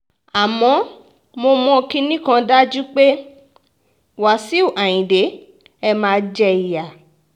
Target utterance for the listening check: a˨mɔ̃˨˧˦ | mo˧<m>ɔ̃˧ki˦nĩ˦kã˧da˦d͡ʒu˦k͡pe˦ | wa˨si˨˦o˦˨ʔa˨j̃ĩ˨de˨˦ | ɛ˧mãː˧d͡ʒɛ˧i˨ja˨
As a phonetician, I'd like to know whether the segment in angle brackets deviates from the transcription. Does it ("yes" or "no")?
no